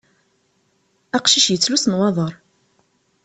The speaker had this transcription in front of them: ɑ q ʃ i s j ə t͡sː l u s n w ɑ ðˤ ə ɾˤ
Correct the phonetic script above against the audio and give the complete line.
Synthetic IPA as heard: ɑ q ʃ i ʃ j ə t͡sː l u s n w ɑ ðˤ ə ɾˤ